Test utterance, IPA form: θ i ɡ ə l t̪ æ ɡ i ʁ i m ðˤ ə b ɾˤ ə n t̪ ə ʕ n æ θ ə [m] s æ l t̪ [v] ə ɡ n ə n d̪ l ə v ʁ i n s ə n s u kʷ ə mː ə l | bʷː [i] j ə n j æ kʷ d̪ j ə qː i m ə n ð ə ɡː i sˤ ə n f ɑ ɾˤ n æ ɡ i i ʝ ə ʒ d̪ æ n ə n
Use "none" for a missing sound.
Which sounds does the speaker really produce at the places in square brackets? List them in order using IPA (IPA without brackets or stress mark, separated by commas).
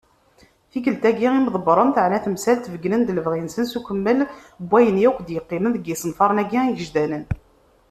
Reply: m, v, æ